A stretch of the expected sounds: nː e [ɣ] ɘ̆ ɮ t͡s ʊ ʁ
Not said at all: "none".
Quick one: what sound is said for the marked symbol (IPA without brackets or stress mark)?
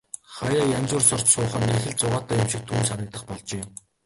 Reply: x